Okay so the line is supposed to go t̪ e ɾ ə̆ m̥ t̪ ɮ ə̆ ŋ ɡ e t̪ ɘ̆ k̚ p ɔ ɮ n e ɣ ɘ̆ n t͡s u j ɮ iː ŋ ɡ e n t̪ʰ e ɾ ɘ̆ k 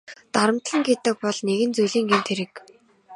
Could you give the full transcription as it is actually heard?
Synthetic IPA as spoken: t̪ a ɾ ə̆ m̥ t̪ ɮ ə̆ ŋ ɡ e t̪ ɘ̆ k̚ p ɔ ɮ n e ɣ ɘ̆ n t͡s u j ɮ iː ŋ ɡ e n t̪ʰ e ɾ ɘ̆ k